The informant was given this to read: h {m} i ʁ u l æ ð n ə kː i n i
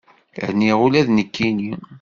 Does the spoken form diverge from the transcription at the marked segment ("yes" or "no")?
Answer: yes